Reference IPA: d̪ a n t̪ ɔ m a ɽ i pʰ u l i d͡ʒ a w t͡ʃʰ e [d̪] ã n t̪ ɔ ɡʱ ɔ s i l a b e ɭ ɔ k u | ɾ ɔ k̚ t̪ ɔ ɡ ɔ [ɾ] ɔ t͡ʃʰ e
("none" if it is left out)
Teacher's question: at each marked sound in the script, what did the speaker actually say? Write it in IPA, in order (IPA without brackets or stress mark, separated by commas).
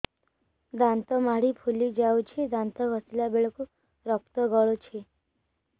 d̪, ɭ